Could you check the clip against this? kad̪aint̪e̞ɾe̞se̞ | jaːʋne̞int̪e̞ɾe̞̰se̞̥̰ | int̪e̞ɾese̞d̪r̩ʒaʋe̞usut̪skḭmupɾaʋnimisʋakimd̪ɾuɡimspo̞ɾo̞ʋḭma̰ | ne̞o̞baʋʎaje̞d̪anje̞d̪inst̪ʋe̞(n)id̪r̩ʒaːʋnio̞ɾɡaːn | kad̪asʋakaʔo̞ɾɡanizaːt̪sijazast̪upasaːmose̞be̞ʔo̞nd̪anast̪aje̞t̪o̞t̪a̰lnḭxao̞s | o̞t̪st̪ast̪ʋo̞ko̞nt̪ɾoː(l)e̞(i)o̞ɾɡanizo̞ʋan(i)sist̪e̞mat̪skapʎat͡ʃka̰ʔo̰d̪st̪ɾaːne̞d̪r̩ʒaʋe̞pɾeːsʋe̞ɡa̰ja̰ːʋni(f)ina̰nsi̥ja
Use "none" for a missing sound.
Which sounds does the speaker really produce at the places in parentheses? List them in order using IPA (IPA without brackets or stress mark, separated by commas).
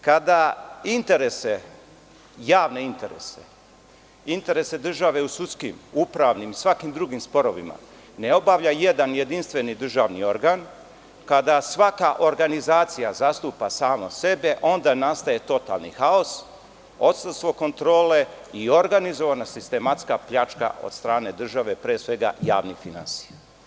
n, l, i, a, f